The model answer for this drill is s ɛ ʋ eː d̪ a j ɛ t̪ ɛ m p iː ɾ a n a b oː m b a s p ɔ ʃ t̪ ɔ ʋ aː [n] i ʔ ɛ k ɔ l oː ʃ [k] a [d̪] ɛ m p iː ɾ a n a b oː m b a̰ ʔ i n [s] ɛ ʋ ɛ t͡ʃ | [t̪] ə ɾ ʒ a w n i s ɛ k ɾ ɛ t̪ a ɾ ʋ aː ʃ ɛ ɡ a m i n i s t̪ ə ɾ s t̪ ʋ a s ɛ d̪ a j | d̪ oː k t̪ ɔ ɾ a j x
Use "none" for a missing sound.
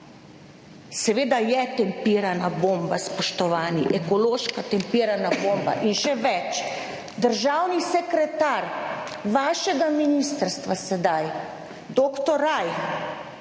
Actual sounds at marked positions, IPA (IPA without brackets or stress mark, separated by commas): n, k, t̪, ʃ, d̪